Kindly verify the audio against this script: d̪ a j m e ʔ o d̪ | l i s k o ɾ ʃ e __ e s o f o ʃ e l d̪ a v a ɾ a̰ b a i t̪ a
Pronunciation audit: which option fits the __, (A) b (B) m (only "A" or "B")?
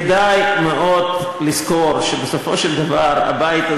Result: A